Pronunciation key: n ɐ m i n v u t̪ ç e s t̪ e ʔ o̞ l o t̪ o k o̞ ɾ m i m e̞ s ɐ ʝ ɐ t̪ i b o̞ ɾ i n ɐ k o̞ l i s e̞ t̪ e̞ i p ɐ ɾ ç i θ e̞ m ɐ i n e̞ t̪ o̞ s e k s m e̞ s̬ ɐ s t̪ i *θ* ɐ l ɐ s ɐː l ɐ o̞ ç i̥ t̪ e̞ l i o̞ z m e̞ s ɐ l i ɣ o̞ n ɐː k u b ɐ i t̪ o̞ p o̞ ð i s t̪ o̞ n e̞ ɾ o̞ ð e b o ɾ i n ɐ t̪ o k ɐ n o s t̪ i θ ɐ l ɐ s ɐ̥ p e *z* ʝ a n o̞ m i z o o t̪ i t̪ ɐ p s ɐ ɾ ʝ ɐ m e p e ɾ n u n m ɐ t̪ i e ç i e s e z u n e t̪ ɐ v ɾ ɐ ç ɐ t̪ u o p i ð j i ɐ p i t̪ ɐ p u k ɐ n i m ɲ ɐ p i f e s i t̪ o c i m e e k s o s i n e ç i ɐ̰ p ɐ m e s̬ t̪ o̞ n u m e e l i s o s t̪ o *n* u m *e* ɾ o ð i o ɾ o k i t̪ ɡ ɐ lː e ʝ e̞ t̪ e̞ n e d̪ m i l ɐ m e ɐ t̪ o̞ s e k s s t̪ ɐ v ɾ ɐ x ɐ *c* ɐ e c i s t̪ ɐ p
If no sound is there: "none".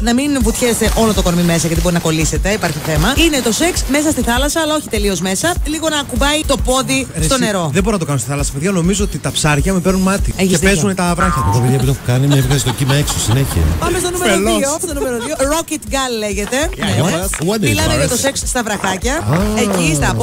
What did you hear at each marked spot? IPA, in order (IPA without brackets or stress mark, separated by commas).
θ, ð, n, e, c